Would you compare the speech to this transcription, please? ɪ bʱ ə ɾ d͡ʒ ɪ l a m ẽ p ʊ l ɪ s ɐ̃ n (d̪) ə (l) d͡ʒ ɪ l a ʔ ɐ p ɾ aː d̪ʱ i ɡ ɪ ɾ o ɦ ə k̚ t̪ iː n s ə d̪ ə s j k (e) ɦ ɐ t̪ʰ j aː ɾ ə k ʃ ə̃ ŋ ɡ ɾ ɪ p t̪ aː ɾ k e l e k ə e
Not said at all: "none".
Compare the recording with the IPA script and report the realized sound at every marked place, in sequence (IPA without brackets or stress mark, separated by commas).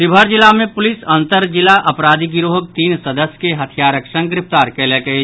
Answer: t̪, ɾ, e